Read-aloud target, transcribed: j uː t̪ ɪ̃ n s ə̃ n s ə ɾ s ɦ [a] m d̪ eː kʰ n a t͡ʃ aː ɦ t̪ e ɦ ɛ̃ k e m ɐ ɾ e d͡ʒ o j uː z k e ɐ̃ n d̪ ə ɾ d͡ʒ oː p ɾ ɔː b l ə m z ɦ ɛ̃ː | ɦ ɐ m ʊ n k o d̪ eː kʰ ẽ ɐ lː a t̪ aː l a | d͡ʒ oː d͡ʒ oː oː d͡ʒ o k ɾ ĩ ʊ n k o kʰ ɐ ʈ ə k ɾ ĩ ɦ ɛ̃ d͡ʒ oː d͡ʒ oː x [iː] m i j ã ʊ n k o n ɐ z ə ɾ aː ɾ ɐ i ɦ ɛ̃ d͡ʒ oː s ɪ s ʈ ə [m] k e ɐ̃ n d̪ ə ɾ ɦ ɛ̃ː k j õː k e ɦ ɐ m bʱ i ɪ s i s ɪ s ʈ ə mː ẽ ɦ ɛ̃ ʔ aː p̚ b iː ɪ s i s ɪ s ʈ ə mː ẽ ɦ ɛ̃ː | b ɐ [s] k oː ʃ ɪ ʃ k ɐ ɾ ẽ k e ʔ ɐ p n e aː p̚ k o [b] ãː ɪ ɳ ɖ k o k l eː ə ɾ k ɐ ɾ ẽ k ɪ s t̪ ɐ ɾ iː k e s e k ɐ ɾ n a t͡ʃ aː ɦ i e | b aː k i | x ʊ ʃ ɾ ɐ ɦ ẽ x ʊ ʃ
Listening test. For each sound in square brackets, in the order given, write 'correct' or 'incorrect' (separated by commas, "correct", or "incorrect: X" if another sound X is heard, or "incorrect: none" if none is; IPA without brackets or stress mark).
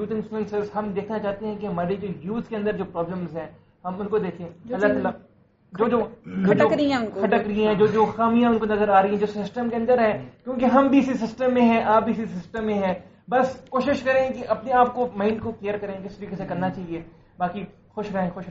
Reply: incorrect: ɐ, incorrect: aː, correct, correct, incorrect: m